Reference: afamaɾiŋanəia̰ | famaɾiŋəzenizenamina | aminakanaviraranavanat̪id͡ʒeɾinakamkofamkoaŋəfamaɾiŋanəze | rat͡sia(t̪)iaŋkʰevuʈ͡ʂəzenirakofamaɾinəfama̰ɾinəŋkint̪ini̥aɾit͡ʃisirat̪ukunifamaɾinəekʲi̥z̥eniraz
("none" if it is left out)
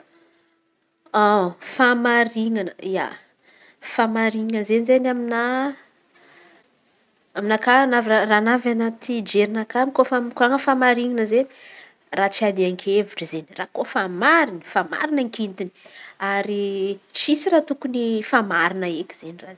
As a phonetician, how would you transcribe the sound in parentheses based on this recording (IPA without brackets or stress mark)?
d̪